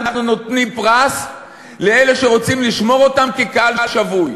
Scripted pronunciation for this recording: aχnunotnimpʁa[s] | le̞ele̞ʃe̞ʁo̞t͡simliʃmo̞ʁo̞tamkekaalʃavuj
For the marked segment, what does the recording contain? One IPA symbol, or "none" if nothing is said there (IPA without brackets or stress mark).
s